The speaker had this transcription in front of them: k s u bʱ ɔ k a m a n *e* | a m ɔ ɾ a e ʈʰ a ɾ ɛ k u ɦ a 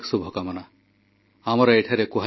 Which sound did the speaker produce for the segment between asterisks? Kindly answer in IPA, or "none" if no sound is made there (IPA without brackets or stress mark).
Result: a